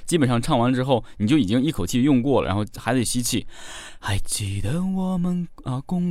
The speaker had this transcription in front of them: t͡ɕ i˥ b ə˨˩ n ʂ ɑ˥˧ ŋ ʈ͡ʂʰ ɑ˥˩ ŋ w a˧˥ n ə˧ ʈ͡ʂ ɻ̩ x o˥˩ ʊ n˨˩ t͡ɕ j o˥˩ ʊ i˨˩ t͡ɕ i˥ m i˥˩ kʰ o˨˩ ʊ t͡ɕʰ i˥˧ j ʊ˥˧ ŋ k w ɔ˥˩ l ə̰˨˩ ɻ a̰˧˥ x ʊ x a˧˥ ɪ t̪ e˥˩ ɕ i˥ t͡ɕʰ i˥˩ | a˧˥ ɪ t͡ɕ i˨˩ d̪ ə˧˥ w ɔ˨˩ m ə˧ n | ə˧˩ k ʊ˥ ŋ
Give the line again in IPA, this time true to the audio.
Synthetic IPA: t͡ɕ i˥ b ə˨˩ n ʂ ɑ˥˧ ŋ ʈ͡ʂʰ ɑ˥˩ ŋ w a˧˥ n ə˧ ʈ͡ʂ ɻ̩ x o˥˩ ʊ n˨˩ t͡ɕ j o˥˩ ʊ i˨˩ t͡ɕ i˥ ŋ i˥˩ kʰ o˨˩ ʊ t͡ɕʰ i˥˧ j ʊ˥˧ ŋ k w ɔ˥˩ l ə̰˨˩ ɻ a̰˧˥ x ʊ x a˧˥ ɪ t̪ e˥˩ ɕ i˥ t͡ɕʰ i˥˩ | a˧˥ ɪ t͡ɕ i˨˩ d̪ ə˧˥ w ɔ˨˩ m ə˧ n | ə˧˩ k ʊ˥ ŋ